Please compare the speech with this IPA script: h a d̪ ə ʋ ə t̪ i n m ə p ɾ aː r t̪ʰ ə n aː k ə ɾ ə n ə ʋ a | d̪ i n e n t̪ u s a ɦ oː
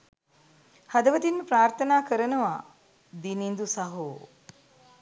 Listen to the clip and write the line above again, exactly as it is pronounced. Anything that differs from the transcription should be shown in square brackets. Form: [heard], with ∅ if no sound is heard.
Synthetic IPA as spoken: h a d̪ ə ʋ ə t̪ i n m ə p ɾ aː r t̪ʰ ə n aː k ə ɾ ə n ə ʋ a | d̪ i n [i] n [d̪] u s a ɦ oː